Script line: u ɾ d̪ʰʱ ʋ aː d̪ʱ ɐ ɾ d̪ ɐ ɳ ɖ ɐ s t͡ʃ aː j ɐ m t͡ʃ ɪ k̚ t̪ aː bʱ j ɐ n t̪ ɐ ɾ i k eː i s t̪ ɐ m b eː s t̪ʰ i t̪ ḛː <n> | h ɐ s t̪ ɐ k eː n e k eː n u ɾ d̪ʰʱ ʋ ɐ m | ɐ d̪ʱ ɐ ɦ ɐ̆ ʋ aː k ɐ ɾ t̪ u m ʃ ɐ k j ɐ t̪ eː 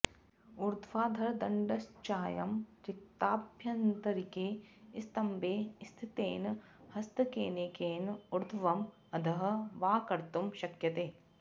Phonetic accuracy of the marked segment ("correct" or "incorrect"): correct